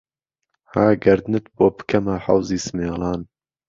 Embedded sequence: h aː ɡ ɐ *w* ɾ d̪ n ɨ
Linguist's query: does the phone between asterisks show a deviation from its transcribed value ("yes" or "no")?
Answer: yes